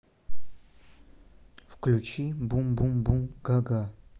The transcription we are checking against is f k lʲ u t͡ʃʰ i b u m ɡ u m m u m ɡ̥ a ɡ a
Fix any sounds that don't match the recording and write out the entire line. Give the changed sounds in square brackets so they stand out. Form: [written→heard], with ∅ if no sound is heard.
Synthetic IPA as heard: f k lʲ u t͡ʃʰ i b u m [ɡ→b] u m [m→b] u m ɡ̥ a ɡ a